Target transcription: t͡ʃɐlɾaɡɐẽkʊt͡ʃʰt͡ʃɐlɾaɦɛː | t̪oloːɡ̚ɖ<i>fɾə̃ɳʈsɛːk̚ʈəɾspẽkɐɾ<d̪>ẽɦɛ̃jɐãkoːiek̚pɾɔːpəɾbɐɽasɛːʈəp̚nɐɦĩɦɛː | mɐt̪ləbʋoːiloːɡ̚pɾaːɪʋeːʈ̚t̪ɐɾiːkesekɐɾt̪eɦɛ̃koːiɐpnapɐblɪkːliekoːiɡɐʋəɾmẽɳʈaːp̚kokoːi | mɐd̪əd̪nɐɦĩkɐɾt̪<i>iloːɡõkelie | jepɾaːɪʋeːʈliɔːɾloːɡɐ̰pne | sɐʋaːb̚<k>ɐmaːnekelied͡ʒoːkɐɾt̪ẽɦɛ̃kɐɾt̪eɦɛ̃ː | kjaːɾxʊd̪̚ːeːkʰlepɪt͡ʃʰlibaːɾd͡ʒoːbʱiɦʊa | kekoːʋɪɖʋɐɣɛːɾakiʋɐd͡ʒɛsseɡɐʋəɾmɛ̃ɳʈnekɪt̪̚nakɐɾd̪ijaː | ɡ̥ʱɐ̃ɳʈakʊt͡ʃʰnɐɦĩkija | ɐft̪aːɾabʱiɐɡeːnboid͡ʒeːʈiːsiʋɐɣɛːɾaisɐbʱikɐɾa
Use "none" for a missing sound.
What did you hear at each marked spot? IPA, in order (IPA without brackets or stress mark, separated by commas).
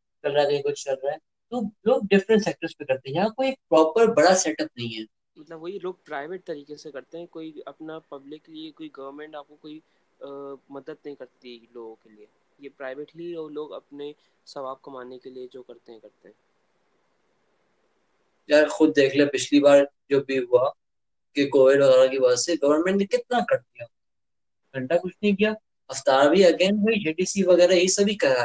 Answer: ɪ, t̪, i, k